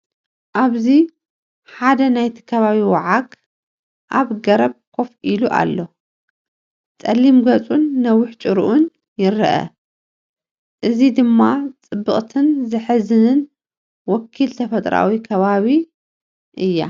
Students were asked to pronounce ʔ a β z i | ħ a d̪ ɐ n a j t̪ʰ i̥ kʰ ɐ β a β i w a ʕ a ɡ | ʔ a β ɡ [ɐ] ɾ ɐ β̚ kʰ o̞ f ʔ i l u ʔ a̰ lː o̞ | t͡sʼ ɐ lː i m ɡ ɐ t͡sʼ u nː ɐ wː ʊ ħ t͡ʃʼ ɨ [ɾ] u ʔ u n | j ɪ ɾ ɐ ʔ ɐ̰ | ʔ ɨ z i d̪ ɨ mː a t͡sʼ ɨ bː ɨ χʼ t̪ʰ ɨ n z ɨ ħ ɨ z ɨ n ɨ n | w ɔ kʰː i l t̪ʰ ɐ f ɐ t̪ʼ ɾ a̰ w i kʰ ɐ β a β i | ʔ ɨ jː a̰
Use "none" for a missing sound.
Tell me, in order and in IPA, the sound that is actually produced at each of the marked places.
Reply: ɐ, ɾ

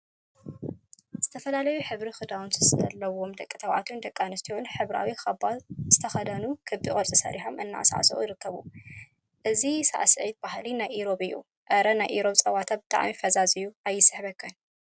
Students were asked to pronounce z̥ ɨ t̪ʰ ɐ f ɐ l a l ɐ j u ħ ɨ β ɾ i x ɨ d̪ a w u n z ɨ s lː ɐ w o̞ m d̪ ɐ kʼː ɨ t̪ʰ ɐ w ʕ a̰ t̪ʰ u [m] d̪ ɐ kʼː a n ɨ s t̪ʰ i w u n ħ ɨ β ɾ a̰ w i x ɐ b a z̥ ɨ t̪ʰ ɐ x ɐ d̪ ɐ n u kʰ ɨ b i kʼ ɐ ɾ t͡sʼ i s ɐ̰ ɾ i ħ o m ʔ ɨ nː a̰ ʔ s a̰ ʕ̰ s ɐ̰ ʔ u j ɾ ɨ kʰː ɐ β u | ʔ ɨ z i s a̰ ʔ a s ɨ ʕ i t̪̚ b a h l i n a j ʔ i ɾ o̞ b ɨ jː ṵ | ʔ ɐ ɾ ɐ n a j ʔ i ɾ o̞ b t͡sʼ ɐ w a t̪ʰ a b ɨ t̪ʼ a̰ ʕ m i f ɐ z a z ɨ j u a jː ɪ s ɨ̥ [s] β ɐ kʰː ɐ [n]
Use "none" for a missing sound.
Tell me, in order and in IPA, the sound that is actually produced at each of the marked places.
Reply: n, ħ, n

